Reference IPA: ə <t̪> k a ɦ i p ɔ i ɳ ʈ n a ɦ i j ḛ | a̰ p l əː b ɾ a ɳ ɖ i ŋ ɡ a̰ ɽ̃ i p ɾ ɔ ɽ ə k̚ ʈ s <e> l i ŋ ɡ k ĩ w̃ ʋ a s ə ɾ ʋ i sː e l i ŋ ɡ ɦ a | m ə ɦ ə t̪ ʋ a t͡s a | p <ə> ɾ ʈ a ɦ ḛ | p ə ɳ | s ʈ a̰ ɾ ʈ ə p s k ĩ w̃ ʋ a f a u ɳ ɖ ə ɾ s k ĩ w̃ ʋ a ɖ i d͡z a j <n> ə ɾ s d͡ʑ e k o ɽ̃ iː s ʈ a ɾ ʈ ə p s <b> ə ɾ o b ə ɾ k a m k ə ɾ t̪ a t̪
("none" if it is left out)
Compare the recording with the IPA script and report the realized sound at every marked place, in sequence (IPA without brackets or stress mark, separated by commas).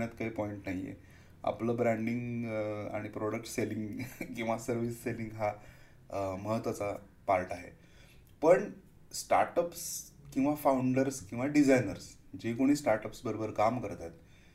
t̪, e, a, n, b